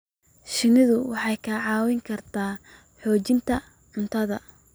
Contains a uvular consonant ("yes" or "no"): no